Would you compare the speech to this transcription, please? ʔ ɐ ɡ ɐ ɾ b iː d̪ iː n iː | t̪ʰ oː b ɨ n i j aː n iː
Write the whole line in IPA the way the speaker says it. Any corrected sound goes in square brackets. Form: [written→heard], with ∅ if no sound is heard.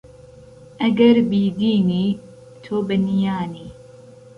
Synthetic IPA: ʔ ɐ ɡ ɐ ɾ b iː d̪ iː n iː | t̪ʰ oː b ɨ n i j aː n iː